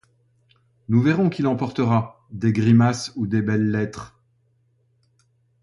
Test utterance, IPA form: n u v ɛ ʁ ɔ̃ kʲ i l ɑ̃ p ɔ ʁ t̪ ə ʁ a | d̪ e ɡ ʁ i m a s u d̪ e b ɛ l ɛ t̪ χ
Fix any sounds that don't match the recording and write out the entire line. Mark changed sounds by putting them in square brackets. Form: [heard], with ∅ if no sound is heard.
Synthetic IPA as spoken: n u v ɛ ʁ ɔ̃ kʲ i l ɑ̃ p ɔ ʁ t̪ ə ʁ a | d̪ e ɡ ʁ i m a s u d̪ e b ɛ [lː] ɛ t̪ χ

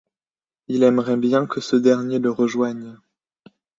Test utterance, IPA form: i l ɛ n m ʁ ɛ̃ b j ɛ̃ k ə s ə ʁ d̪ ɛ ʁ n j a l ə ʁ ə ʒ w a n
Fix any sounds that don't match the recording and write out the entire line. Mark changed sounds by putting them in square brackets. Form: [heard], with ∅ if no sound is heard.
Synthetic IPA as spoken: i l ɛ [∅] m ʁ [ɛ] b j ɛ̃ k ə s ə [∅] d̪ ɛ ʁ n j [e] l ə ʁ ə ʒ w a [ɲ]

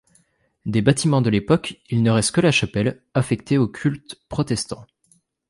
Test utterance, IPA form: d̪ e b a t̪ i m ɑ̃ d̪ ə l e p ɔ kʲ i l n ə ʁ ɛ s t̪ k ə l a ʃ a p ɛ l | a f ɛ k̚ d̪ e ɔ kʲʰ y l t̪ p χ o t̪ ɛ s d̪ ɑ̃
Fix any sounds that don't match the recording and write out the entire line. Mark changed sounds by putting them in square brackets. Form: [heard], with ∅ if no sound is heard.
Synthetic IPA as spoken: d̪ e b a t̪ i m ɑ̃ d̪ ə l e p ɔ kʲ i l n ə ʁ ɛ s t̪ k ə l a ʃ a p ɛ l | a f ɛ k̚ [t̪] e [o] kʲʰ y l t̪ p χ [ɔ] t̪ ɛ s [t̪] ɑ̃

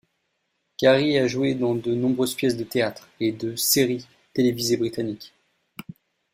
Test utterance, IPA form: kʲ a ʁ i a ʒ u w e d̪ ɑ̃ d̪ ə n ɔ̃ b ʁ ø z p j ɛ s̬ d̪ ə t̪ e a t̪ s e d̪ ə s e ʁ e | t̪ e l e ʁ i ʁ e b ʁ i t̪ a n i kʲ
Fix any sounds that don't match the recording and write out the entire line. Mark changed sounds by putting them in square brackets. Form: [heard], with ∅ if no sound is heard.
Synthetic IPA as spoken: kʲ a ʁ i a ʒ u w e d̪ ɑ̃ d̪ ə n ɔ̃ b ʁ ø z p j ɛ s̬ d̪ ə t̪ e a t̪ [χ] e d̪ ə s e ʁ [i] | t̪ e l e [v] i [z] e b ʁ i t̪ a n i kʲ

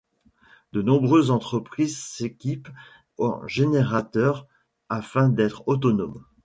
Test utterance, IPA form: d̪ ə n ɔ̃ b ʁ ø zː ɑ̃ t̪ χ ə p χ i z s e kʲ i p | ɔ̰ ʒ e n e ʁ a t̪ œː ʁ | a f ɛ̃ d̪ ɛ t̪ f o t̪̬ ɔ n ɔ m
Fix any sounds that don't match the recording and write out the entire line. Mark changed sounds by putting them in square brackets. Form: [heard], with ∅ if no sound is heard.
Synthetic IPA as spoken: d̪ ə n ɔ̃ b ʁ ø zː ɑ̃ t̪ χ ə p χ i z s e kʲ i p | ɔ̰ ʒ e n e ʁ a t̪ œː ʁ | a f ɛ̃ d̪ ɛ t̪ [χ] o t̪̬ ɔ n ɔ m

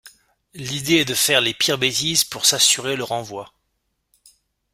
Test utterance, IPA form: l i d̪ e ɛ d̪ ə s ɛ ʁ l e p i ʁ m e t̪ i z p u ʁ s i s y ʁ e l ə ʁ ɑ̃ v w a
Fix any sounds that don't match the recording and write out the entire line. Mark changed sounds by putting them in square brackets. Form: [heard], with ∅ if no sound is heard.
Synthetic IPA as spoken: l i d̪ e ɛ d̪ ə [f] ɛ ʁ l e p i ʁ [b] e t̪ i z p u ʁ s [a] s y ʁ e l ə ʁ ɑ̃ v w a

